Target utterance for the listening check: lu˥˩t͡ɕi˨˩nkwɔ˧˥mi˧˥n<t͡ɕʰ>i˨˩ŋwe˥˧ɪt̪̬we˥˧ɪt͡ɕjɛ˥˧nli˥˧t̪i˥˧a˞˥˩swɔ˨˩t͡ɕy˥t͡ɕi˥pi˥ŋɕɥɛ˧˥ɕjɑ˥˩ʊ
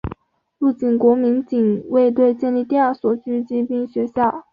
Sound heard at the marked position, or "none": t͡ɕ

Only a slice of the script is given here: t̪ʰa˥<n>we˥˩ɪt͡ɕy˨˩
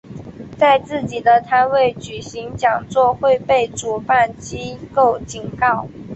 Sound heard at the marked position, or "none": n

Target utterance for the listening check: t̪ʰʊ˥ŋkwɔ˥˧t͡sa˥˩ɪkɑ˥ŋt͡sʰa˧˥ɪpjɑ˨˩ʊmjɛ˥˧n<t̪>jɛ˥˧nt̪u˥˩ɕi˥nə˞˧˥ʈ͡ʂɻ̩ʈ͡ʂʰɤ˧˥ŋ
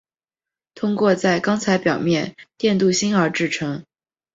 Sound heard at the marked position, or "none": t̪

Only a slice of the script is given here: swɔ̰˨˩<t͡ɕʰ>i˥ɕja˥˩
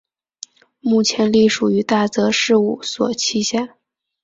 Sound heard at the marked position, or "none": t͡ɕʰ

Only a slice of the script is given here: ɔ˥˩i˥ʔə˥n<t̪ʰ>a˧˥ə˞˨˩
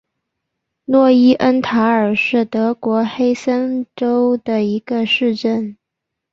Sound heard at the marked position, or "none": t̪ʰ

